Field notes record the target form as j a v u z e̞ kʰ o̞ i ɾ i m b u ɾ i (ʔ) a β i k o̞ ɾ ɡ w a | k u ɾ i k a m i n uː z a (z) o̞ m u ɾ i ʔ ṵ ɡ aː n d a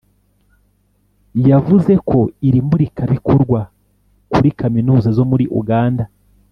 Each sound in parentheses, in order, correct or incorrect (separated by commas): incorrect, correct